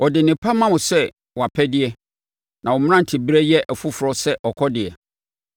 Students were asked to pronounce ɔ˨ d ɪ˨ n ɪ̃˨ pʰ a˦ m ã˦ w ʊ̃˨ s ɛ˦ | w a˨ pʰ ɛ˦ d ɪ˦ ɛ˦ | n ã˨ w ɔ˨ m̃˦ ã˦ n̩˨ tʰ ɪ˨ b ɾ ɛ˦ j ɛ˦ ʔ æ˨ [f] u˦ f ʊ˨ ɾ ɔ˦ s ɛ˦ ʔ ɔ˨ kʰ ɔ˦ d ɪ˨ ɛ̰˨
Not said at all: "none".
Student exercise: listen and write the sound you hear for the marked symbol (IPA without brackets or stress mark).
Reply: f